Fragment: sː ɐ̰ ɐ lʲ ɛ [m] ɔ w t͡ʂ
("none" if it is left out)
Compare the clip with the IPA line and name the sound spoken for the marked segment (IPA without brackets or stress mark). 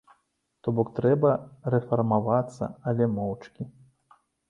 m